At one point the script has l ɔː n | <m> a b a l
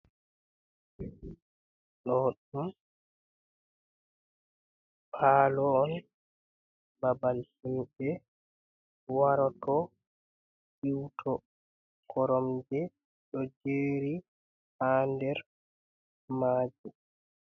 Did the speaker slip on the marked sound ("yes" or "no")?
yes